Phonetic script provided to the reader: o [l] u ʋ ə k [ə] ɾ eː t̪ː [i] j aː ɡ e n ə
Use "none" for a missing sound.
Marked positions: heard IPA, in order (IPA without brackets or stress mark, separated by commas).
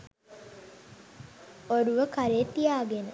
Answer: ɾ, a, i